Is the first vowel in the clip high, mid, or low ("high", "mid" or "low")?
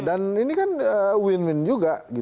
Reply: low